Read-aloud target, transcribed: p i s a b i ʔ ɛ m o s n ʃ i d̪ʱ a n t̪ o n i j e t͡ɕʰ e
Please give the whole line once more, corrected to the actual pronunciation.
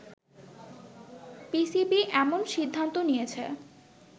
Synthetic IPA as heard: p i s i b i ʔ ɛ m o n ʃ i d̪ʱː a n t̪ o n i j e t͡ɕʰ e